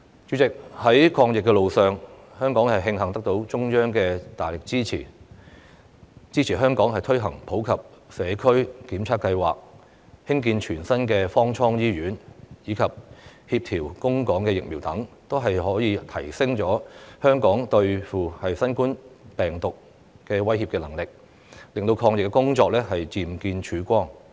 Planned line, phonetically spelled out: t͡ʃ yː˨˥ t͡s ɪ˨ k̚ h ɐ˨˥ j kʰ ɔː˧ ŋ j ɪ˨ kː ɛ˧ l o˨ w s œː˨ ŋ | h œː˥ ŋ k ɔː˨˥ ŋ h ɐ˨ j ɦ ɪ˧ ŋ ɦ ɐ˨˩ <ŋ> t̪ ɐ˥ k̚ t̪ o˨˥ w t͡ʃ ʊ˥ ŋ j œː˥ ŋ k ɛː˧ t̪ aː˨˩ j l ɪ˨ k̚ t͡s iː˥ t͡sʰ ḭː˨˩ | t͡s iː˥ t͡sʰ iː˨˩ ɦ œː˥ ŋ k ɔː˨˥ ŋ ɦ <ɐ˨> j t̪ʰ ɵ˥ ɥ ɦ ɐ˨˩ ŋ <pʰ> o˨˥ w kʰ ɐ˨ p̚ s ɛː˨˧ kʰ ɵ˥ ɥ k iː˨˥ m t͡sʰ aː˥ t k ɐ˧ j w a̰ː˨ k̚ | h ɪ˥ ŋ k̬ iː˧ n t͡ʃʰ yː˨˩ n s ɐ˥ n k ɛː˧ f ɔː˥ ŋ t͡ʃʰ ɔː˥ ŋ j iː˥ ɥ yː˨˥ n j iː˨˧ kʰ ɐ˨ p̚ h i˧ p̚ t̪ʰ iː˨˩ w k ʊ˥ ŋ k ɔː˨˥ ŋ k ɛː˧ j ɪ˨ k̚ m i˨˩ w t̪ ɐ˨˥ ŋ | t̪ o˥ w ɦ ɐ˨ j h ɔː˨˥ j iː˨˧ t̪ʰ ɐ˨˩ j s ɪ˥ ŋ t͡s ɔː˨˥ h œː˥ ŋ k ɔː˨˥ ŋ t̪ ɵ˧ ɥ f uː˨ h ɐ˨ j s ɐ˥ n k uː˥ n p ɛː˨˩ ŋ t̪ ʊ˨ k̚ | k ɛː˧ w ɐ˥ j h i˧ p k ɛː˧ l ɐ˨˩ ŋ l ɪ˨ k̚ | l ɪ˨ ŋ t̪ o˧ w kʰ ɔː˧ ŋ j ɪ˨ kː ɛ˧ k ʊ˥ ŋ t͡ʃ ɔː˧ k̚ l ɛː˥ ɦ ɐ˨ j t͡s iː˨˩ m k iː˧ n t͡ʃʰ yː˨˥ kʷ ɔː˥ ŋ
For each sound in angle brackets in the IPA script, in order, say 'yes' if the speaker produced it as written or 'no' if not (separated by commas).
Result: yes, yes, yes